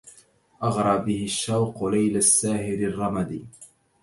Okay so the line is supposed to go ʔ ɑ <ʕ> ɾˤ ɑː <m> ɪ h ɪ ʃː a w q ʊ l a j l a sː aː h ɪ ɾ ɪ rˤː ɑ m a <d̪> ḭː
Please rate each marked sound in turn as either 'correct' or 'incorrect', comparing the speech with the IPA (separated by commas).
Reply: incorrect, incorrect, correct